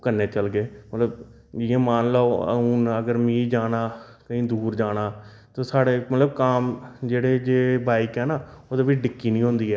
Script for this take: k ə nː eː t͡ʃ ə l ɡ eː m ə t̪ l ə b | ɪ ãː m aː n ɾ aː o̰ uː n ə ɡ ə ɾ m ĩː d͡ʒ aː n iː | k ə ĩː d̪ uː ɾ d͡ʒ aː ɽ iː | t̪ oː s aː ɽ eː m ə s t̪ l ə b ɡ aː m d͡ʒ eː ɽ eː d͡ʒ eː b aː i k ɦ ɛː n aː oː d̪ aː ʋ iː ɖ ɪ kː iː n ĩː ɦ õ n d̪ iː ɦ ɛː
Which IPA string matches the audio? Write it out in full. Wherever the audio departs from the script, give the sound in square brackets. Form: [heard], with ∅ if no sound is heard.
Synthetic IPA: k ə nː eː t͡ʃ ə l ɡ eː m ə t̪ l ə b | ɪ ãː m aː n [l] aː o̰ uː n ə ɡ ə ɾ m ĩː d͡ʒ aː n [aː] | k ə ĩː d̪ uː ɾ d͡ʒ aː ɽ [aː] | t̪ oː s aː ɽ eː m ə [∅] t̪ l ə b [k] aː m d͡ʒ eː ɽ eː d͡ʒ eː b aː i k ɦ ɛː n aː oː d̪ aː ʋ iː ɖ ɪ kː iː n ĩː ɦ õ n d̪ iː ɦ ɛː